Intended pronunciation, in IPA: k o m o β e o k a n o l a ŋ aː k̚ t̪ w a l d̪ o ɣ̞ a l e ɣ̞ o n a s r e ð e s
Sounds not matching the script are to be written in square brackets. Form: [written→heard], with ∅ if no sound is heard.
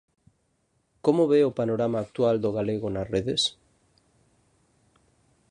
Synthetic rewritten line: k o m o β e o [k→p] a n o [l→ɾ] a [ŋ→m] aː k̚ t̪ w a l d̪ o ɣ̞ a l e ɣ̞ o n a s r e ð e s